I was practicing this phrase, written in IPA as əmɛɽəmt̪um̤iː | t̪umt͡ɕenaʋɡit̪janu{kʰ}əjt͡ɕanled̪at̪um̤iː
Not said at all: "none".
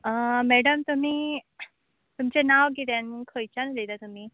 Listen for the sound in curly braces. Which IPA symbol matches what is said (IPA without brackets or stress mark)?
kʰ